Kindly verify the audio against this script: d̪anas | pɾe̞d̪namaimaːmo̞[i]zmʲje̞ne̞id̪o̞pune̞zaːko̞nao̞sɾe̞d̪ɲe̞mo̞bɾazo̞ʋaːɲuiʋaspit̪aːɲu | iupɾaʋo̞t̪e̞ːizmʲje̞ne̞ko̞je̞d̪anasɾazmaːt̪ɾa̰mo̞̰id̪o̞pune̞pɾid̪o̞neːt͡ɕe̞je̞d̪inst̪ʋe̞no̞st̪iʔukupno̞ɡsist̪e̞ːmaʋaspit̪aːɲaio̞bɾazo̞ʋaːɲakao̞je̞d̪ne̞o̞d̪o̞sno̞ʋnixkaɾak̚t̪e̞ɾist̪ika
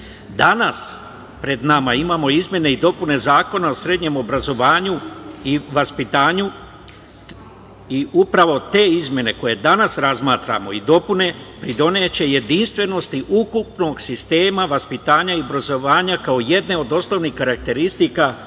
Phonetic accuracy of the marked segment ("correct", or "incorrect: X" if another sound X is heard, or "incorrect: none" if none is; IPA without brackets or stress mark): correct